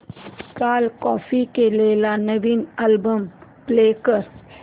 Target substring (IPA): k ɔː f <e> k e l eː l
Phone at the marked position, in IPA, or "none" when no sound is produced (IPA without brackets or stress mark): i